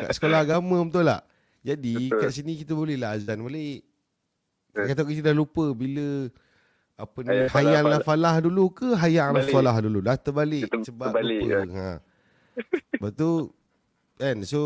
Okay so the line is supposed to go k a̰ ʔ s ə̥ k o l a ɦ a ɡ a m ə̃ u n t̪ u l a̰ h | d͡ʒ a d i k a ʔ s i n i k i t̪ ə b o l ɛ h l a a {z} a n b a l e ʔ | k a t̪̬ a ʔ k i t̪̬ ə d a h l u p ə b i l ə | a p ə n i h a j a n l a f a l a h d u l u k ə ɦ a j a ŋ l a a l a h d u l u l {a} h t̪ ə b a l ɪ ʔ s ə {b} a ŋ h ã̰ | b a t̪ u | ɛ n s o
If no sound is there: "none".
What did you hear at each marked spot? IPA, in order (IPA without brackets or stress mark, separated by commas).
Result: z, a, b